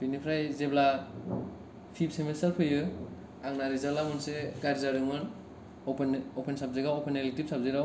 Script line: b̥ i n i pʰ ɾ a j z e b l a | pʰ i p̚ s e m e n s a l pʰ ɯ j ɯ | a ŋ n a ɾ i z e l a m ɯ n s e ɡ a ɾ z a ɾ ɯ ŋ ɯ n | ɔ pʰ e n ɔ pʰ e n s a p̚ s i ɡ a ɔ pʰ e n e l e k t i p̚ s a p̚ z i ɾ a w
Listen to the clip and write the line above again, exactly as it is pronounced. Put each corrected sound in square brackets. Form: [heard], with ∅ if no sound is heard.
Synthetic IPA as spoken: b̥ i n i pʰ ɾ a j z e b l a | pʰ i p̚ s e m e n s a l pʰ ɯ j ɯ | a ŋ n a ɾ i z [a] l a m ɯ n s e ɡ a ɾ z a ɾ ɯ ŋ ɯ n | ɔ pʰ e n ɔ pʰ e n s a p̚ [z] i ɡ a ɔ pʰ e n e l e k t i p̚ s a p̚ z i ɾ a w